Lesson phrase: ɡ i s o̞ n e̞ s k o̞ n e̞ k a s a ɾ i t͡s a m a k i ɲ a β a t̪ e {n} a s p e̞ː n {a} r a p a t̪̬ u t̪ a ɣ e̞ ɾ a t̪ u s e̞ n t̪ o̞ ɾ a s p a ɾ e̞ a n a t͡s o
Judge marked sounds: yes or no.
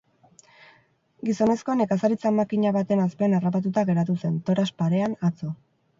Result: yes, yes

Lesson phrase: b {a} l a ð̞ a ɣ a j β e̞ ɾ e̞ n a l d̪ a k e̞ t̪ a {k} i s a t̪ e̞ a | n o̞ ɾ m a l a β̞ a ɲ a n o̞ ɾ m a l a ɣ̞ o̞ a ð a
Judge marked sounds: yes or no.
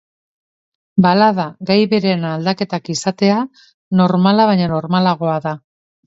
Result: yes, yes

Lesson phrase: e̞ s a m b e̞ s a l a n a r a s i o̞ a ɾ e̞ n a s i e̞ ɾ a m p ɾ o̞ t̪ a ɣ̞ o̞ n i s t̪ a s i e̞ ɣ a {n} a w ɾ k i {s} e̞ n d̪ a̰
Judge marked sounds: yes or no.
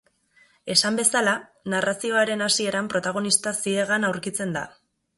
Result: yes, no

